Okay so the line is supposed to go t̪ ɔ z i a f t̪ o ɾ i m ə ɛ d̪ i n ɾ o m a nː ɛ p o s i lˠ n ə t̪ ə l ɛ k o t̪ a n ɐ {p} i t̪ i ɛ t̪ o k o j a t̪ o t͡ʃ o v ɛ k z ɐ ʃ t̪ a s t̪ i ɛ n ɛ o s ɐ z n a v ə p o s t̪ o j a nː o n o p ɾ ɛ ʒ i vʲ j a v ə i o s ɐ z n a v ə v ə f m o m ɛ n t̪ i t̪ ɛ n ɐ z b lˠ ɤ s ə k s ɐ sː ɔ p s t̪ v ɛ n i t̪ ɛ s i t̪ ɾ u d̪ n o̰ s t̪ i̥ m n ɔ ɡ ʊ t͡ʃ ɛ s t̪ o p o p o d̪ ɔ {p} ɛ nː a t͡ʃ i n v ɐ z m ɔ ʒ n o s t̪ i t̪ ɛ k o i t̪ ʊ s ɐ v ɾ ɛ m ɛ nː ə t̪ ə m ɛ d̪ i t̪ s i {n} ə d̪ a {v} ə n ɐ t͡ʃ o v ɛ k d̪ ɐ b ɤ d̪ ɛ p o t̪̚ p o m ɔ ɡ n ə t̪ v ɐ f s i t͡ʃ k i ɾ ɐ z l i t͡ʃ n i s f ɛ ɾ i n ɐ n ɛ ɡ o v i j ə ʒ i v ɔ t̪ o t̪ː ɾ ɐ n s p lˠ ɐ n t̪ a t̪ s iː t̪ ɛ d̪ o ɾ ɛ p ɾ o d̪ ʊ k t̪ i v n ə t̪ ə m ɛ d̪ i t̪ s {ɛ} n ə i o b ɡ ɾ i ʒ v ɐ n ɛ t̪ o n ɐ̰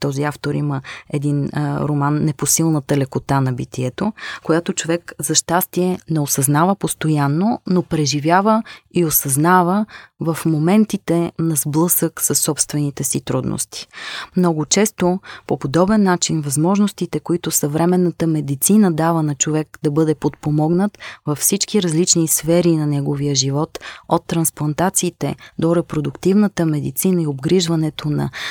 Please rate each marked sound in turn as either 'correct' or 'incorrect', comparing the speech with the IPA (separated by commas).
incorrect, incorrect, correct, correct, incorrect